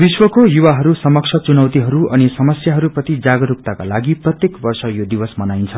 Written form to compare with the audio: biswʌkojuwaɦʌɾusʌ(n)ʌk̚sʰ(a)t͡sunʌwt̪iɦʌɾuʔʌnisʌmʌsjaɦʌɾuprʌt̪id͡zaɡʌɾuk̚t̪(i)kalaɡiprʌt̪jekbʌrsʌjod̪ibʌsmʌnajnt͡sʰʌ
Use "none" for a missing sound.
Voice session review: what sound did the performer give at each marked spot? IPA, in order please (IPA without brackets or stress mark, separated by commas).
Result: m, ʌ, a